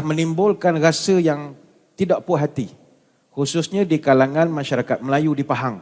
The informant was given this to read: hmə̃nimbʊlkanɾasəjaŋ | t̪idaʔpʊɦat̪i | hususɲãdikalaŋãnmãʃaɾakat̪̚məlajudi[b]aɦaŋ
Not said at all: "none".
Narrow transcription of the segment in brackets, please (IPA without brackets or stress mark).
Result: p